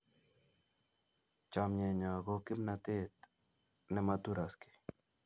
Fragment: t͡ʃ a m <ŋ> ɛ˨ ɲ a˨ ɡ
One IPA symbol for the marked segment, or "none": ɲ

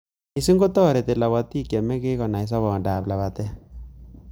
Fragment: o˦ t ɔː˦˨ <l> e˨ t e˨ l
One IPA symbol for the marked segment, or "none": ɾ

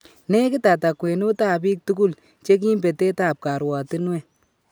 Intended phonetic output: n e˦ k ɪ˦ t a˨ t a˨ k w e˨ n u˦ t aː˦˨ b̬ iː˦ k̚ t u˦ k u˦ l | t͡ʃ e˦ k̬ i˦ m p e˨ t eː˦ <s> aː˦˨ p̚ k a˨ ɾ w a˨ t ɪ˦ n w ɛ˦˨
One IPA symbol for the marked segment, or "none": t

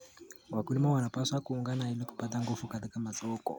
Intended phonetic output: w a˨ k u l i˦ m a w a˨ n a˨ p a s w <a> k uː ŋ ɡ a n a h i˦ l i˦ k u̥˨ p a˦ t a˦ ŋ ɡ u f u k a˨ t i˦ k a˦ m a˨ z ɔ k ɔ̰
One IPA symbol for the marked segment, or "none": a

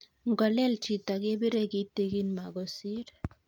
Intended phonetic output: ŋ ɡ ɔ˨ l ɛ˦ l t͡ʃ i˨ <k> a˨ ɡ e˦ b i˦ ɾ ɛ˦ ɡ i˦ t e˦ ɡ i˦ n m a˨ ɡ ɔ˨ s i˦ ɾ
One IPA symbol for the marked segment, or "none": t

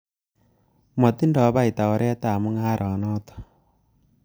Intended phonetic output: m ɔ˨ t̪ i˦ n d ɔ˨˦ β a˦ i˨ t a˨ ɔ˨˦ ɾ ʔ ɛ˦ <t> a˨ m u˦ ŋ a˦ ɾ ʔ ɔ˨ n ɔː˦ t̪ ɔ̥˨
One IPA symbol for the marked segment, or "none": t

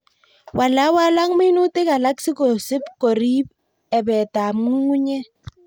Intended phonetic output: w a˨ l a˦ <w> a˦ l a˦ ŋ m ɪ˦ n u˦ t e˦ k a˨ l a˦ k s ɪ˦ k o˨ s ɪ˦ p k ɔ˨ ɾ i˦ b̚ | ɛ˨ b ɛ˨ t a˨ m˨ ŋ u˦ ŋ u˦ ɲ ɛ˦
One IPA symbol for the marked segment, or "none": w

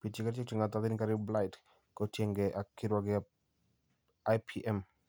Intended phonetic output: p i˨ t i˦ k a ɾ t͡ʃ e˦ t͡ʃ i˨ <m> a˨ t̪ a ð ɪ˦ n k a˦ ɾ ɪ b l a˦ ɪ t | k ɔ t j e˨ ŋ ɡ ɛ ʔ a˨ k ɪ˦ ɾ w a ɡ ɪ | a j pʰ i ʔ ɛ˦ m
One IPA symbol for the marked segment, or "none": ŋ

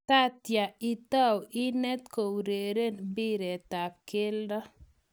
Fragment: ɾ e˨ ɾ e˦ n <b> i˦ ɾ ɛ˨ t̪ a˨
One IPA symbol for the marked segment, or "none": b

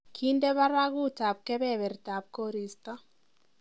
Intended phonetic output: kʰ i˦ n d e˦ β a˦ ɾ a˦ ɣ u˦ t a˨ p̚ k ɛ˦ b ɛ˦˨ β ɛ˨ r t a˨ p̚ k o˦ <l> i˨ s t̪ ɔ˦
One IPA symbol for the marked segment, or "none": ɾ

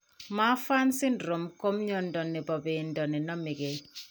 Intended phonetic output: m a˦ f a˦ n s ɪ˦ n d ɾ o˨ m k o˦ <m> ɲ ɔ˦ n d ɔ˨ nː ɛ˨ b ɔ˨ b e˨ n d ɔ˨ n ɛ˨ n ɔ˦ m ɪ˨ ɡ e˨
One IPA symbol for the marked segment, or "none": m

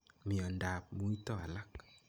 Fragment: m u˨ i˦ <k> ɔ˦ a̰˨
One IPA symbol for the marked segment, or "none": t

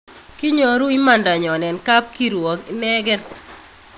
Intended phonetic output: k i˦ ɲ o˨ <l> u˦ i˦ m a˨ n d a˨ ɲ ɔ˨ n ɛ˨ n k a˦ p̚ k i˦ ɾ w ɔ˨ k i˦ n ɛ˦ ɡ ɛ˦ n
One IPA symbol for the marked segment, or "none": ɾ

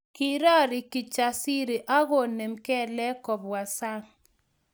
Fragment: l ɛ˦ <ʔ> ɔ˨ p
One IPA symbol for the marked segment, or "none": k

